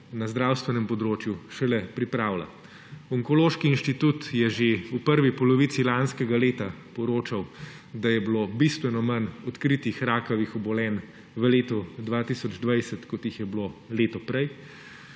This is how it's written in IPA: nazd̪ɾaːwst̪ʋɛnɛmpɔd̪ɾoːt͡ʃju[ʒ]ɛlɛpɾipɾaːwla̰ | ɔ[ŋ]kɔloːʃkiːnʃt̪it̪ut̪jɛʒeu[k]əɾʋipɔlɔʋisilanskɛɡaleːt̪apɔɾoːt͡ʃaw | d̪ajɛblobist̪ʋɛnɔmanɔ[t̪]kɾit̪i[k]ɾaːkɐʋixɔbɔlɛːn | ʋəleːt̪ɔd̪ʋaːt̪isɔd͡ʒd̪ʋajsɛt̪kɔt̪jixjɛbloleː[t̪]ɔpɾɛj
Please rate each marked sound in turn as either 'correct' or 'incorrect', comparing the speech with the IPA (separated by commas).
incorrect, correct, incorrect, correct, incorrect, correct